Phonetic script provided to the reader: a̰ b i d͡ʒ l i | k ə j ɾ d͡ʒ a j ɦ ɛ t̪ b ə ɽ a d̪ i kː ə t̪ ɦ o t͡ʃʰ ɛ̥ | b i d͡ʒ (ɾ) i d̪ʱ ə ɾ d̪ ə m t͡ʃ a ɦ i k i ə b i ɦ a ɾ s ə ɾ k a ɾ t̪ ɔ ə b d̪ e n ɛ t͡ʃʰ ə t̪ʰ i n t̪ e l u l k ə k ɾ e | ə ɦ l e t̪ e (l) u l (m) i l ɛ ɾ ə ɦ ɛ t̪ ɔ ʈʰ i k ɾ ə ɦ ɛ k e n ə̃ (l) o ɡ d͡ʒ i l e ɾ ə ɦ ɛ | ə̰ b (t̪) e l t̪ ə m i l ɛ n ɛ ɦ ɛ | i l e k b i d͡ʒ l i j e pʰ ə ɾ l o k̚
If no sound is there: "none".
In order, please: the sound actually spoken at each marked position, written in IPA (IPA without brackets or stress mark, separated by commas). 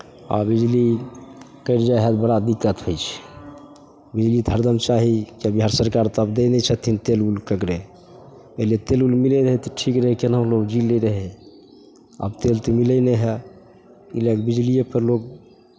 l, l, m, l, t̪